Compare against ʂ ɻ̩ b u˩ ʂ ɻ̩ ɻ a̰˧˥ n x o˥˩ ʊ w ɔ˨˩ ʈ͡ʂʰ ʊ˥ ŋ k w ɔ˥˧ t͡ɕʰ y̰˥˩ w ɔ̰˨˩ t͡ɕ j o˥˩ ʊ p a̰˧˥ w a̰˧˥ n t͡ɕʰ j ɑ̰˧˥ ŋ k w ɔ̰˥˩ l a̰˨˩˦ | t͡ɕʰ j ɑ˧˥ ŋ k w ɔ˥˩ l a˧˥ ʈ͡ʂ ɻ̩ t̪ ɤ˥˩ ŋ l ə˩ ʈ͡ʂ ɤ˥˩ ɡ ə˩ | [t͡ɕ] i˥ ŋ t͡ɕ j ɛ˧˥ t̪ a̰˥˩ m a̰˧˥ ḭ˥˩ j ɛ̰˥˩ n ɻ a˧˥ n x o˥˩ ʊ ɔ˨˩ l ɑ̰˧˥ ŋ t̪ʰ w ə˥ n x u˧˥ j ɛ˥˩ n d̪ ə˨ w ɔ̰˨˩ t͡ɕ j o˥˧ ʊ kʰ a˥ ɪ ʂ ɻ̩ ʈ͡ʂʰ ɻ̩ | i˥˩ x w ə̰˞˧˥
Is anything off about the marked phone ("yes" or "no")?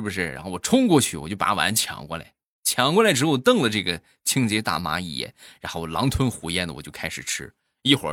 yes